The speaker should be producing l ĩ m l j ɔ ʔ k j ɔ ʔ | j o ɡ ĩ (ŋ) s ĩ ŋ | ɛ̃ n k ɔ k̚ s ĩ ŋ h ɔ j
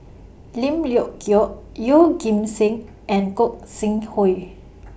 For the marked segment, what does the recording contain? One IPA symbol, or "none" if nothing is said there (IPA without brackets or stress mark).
m